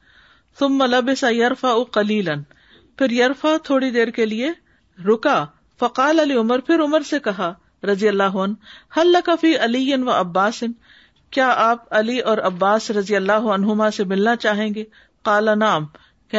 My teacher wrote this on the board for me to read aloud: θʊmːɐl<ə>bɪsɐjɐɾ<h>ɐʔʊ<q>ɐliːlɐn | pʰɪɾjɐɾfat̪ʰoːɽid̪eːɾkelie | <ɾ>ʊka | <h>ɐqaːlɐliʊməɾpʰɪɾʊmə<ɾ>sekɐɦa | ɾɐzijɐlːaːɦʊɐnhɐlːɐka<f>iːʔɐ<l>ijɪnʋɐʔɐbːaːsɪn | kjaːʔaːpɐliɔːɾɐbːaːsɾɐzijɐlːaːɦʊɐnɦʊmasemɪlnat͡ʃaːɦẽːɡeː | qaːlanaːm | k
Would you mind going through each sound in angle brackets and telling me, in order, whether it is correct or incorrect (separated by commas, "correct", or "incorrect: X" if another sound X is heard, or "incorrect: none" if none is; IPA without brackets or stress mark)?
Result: incorrect: ɐ, incorrect: f, correct, correct, incorrect: f, correct, correct, correct